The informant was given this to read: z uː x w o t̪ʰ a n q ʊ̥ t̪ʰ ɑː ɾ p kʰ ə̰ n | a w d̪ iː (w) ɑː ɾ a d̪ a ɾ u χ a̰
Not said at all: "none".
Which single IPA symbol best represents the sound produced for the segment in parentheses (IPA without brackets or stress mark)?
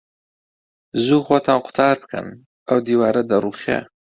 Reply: w